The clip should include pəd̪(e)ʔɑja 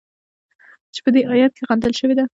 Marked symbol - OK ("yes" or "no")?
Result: yes